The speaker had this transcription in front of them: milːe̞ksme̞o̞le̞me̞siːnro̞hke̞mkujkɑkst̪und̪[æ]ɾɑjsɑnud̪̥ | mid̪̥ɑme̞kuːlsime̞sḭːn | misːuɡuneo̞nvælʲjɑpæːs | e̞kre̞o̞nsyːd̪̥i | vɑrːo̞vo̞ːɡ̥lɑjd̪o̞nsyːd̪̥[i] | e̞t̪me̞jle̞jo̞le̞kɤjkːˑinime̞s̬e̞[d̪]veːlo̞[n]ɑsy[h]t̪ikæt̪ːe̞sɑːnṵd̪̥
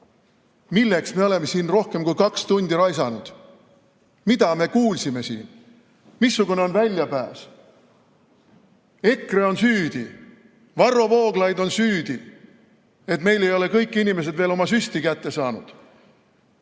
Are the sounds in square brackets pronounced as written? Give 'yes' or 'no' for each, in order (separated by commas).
no, yes, yes, no, no